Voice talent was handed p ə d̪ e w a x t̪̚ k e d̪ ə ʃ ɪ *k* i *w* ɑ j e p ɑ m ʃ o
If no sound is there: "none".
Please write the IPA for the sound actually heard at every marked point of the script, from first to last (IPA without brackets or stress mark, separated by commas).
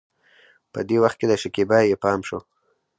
k, b